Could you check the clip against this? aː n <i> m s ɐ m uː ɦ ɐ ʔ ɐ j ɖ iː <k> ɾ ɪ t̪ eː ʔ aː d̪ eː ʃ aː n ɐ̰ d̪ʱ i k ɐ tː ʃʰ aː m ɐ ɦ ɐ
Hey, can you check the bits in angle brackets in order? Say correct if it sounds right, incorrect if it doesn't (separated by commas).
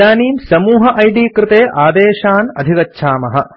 incorrect, correct